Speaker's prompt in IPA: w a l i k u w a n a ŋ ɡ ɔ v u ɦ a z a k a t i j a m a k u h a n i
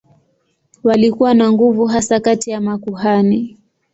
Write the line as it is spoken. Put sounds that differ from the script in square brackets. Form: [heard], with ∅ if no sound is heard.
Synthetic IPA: w a l i k u w a n a ŋ ɡ [u] v u ɦ a [s] a k a t i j a m a k u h a n i